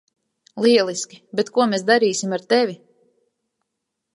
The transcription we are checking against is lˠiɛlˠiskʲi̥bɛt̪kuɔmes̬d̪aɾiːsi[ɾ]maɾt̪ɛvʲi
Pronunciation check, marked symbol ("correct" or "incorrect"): incorrect